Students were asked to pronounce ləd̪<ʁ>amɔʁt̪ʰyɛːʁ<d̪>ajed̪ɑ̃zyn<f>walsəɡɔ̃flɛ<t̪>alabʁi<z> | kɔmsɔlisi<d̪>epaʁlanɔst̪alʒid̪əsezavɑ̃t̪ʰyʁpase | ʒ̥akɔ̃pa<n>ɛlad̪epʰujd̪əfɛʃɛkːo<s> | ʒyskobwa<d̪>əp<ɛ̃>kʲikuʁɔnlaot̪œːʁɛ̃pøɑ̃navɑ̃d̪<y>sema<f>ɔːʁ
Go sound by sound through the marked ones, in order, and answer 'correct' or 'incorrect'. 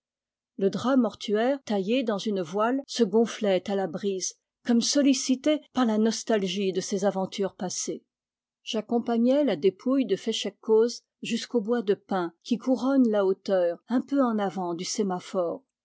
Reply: correct, incorrect: t̪, incorrect: v, correct, correct, incorrect: t̪, incorrect: ɲ, incorrect: z, correct, correct, correct, correct

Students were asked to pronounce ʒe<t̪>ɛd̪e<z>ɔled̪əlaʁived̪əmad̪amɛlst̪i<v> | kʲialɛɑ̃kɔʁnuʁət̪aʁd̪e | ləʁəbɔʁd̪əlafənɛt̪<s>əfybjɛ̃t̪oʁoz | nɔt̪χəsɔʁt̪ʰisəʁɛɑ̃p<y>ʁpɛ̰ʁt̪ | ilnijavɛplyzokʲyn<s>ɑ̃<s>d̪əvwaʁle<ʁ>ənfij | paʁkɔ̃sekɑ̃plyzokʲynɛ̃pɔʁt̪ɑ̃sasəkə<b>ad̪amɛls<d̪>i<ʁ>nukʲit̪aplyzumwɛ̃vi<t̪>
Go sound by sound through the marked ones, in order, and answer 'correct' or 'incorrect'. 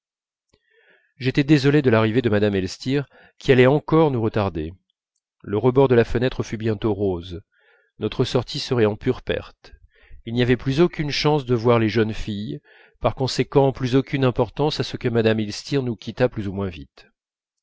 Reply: correct, correct, incorrect: ʁ, incorrect: χ, correct, incorrect: ʃ, correct, incorrect: ʒ, incorrect: m, incorrect: t̪, correct, correct

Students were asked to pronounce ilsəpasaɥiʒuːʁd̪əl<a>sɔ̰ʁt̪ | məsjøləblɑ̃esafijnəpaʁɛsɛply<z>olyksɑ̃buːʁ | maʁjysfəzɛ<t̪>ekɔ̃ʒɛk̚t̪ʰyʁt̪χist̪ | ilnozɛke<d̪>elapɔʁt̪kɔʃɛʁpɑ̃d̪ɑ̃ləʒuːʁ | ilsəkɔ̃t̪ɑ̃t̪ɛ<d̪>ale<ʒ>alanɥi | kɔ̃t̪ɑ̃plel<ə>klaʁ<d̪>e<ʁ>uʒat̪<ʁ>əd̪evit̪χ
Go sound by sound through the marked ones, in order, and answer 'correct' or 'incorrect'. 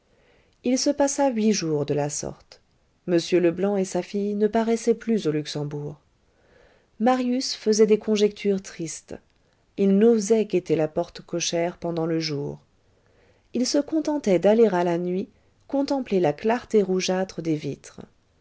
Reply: correct, correct, incorrect: d̪, incorrect: t̪, correct, incorrect: ʁ, incorrect: a, incorrect: t̪, correct, incorrect: χ

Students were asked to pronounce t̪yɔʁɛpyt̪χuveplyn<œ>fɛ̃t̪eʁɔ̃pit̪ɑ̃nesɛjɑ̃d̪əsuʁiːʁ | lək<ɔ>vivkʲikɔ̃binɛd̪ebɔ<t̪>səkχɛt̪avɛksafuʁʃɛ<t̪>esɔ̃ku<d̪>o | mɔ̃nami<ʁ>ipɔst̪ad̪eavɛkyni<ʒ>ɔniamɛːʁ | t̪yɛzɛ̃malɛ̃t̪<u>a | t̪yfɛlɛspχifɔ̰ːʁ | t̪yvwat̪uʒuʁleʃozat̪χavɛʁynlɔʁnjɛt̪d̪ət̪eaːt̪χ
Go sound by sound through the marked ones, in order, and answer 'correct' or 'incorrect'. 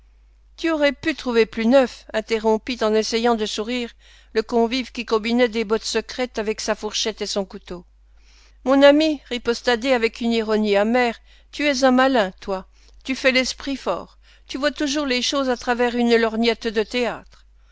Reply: correct, incorrect: ɔ̃, correct, correct, incorrect: t̪, correct, incorrect: ʁ, incorrect: w

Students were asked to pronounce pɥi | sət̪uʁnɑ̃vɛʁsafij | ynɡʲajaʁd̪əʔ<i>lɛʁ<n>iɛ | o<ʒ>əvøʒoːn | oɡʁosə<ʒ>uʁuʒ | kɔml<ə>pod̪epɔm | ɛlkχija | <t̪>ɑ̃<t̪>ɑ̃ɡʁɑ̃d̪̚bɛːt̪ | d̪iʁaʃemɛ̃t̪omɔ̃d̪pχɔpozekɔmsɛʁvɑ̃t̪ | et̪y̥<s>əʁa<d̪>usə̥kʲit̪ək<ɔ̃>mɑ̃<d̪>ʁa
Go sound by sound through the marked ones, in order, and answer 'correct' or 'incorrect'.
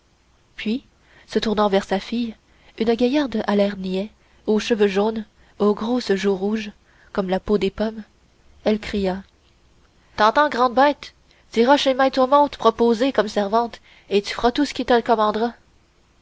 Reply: incorrect: a, correct, incorrect: ʃ, correct, incorrect: a, correct, correct, incorrect: f, incorrect: t̪, incorrect: ɔ, correct

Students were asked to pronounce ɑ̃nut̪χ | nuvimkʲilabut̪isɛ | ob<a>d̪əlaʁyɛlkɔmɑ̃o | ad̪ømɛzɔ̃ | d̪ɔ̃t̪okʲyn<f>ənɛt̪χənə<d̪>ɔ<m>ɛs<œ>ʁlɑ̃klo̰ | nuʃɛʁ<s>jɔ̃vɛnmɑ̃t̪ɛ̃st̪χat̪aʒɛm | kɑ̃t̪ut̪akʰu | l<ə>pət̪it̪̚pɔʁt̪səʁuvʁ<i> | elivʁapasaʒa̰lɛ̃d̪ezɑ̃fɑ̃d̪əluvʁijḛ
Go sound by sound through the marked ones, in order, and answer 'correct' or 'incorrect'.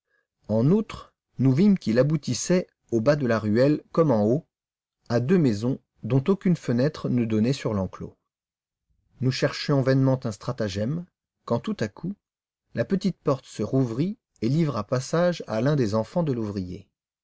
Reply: correct, correct, correct, incorrect: n, incorrect: y, incorrect: ʃ, incorrect: a, correct

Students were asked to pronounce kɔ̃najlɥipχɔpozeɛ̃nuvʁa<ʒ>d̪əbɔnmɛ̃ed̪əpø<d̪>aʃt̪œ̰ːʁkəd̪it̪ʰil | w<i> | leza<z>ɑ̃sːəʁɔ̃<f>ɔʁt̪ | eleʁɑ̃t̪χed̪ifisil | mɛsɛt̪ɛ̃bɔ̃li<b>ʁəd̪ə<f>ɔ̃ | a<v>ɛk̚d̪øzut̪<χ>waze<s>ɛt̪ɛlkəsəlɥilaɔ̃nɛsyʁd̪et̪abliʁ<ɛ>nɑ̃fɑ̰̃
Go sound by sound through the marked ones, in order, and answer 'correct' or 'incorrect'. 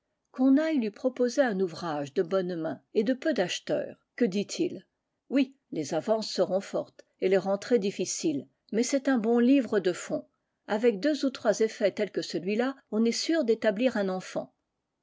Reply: correct, correct, correct, incorrect: v, correct, incorrect: v, correct, correct, correct, incorrect: f, incorrect: ɛ̃

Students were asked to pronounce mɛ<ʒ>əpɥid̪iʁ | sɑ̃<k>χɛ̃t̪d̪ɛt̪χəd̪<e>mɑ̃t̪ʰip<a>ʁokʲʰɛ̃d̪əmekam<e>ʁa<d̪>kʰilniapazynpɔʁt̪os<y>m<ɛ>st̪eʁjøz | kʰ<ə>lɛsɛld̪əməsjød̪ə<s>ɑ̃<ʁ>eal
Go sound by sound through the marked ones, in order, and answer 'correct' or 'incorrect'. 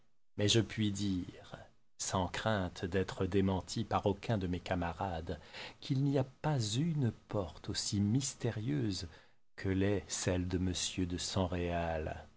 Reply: correct, correct, correct, correct, incorrect: a, correct, incorrect: i, incorrect: i, correct, correct, correct

